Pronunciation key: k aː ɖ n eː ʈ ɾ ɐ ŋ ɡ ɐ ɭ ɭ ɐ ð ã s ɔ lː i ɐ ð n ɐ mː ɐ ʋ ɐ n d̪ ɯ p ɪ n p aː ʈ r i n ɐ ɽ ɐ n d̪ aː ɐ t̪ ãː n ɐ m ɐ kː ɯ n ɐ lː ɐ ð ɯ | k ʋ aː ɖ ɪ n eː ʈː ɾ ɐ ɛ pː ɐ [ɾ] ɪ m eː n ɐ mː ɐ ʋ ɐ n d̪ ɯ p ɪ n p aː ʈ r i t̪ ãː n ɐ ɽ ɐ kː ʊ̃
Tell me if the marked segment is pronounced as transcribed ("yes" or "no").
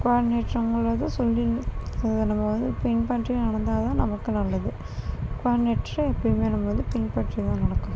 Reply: no